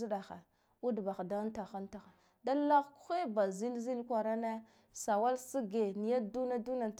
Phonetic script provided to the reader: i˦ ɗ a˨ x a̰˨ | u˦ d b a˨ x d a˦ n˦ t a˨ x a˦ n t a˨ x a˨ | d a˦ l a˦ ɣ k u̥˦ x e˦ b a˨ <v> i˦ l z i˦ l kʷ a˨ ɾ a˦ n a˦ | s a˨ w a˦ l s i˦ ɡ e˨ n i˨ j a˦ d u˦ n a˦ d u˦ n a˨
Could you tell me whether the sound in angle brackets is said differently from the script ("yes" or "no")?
yes